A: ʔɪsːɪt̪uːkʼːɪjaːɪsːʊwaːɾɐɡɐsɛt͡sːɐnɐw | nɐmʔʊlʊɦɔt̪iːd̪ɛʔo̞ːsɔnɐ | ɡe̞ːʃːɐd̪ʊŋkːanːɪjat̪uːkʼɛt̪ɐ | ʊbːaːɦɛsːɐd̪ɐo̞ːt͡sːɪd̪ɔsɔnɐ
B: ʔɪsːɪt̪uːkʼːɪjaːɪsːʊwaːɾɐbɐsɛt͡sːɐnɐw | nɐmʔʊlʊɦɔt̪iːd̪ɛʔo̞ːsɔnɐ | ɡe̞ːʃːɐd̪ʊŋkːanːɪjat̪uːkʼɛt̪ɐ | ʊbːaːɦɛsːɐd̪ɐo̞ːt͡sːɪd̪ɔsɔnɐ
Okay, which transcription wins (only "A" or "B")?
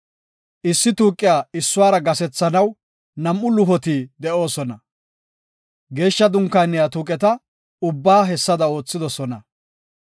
A